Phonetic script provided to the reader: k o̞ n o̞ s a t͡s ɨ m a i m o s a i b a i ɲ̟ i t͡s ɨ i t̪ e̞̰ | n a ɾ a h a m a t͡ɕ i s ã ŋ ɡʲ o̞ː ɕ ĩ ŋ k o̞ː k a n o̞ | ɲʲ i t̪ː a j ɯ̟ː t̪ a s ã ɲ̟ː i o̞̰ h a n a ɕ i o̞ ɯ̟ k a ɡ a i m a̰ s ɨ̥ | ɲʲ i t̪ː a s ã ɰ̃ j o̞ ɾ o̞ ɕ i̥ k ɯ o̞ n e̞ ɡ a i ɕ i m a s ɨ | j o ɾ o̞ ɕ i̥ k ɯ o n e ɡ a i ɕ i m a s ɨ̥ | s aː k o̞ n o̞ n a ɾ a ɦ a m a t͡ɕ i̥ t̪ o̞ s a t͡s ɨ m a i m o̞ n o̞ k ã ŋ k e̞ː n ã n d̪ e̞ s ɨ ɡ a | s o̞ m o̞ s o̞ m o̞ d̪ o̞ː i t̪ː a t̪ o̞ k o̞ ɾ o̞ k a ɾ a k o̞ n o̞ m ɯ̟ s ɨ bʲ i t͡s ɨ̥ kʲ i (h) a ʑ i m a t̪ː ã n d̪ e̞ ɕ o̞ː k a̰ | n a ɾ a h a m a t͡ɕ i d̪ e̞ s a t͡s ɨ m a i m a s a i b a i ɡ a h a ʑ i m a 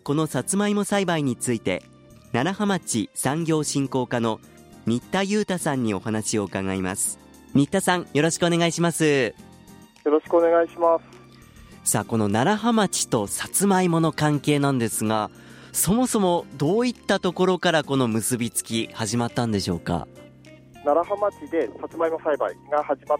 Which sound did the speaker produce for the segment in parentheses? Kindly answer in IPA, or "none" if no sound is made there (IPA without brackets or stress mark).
h